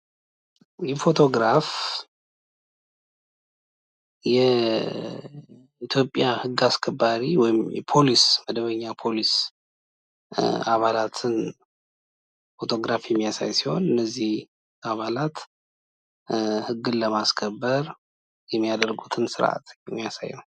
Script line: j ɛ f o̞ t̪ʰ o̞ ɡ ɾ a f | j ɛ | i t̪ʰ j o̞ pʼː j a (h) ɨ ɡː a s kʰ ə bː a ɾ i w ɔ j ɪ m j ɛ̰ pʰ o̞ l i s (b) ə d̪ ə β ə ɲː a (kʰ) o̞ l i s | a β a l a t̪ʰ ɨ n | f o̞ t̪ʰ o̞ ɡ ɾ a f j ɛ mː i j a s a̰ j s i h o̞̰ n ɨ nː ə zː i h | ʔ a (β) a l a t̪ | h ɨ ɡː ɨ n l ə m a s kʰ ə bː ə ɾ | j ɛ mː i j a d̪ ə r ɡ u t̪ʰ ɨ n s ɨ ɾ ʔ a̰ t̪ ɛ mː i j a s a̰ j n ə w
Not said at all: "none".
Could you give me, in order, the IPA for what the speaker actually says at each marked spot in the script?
h, m, pʰ, β

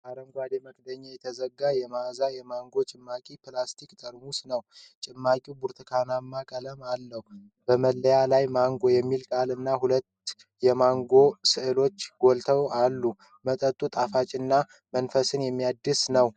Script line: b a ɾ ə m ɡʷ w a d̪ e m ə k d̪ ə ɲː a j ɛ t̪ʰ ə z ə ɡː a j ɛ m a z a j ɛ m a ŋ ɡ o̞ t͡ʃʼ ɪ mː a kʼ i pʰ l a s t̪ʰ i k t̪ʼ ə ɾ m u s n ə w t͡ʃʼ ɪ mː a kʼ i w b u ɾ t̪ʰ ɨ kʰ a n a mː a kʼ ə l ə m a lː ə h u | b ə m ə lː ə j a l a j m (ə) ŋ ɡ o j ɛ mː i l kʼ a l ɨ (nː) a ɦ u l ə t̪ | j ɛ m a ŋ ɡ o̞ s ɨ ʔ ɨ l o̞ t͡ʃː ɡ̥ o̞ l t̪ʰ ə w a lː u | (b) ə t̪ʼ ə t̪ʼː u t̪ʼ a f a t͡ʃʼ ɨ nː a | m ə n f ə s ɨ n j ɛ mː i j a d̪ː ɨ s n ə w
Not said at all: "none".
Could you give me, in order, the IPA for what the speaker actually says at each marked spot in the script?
a, nː, m

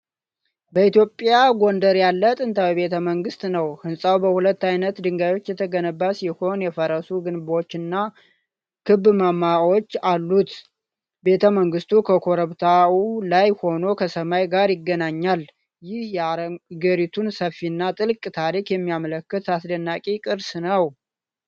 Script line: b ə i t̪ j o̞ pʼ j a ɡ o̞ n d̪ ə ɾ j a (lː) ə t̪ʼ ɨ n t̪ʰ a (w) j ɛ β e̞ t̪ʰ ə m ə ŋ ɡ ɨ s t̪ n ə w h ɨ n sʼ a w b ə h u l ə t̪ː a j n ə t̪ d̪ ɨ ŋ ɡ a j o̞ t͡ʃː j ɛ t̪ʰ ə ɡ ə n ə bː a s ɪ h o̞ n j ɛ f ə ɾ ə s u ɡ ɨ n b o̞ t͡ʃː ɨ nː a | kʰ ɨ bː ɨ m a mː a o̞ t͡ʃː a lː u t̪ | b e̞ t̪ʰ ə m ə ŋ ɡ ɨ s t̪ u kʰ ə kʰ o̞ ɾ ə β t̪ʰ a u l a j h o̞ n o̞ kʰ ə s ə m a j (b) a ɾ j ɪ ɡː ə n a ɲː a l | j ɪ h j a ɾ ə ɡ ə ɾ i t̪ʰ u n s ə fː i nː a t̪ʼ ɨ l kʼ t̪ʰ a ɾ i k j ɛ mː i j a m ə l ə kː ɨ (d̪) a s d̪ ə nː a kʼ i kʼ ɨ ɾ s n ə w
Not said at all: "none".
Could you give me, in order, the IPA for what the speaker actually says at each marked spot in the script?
lː, w, ɡ, t̪

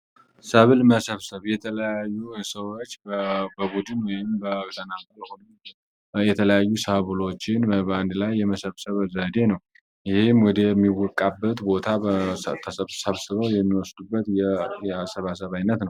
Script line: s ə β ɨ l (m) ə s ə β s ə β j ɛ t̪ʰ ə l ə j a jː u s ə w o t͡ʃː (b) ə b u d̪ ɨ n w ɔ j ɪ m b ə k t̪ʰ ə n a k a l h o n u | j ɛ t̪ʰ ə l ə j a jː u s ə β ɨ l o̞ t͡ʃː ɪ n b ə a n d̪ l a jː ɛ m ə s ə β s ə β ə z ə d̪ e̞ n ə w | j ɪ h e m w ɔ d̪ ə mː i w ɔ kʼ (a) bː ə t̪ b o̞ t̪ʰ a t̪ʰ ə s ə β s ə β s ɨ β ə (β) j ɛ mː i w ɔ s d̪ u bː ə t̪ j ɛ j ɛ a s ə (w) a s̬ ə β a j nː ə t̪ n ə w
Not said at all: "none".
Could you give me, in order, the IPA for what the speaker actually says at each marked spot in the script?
m, b, a, w, β

